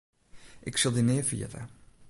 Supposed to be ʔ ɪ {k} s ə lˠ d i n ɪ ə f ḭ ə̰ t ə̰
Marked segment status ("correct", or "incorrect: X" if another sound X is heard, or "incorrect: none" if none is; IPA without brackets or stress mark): correct